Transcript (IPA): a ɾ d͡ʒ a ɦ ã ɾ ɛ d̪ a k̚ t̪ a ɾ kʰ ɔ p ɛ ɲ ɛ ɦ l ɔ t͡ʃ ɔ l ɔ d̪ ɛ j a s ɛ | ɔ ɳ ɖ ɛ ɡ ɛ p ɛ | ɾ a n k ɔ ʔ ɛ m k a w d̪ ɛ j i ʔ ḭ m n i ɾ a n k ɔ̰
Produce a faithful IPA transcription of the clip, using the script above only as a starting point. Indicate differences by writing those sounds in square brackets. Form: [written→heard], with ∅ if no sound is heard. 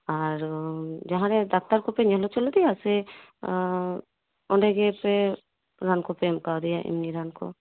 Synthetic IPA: a ɾ d͡ʒ a ɦ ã ɾ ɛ d̪ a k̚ t̪ a ɾ [kʰ→k] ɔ p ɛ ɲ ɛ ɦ l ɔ t͡ʃ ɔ l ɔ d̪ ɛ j a s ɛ | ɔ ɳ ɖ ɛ ɡ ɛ p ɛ | ɾ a n k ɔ [ʔ→p] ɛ m k a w d̪ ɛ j [i→a] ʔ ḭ m n i ɾ a n k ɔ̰